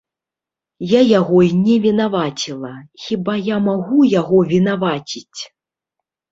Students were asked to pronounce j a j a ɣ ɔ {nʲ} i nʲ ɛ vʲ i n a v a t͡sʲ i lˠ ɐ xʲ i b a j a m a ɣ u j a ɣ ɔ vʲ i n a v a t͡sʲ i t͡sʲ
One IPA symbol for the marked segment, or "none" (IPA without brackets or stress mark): none